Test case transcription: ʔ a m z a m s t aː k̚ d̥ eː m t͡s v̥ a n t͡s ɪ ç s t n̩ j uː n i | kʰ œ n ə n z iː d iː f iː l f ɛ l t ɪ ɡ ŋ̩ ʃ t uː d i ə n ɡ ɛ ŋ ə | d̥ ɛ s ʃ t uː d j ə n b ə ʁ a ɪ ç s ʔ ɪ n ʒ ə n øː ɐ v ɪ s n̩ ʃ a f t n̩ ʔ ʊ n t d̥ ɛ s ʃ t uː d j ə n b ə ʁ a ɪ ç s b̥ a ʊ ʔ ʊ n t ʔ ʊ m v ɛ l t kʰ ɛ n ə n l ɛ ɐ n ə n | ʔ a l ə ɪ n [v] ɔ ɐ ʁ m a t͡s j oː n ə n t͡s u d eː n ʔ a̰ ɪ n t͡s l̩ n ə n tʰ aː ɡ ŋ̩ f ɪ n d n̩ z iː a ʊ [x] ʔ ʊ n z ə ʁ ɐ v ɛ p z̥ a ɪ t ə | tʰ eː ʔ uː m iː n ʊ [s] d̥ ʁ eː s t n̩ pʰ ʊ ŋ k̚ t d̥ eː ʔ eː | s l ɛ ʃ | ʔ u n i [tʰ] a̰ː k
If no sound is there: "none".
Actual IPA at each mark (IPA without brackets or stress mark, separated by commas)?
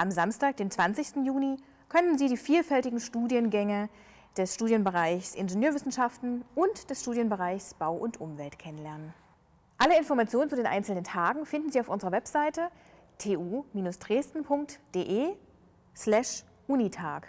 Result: f, f, s, tʰ